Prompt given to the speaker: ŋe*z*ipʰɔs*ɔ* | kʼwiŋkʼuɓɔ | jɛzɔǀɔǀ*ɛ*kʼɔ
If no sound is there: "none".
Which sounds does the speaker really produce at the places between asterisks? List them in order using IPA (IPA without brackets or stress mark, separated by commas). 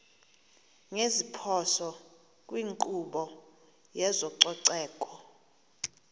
z, ɔ, ɛː